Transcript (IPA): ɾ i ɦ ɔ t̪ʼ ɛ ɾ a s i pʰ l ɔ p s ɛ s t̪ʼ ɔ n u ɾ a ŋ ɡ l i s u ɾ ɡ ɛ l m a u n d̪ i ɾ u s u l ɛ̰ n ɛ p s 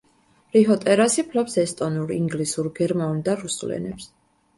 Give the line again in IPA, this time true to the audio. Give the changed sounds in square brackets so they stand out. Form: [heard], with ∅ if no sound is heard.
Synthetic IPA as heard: ɾ i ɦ ɔ t̪ʼ ɛ ɾ a s i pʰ l ɔ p s ɛ s t̪ʼ ɔ n u ɾ [i] ŋ ɡ l i s u ɾ ɡ ɛ [ɾ] m a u n d̪ [a] ɾ u s u l ɛ̰ n ɛ p s